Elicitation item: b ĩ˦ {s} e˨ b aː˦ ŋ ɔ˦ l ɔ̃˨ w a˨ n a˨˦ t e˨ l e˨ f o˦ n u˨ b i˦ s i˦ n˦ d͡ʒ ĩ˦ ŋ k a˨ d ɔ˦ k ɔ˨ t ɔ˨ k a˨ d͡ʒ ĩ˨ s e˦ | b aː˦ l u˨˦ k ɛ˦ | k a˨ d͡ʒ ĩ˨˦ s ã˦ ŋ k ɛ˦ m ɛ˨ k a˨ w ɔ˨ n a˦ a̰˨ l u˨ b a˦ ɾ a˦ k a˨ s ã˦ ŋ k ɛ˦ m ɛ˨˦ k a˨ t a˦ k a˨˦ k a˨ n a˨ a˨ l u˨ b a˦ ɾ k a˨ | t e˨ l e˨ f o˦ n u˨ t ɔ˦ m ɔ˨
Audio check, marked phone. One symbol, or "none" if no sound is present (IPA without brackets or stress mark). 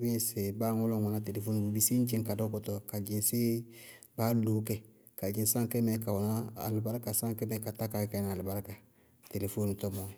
s